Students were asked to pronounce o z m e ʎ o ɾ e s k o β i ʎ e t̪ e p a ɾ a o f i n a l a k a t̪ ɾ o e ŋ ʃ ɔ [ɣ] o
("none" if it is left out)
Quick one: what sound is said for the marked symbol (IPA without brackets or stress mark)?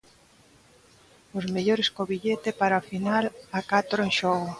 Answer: ɣ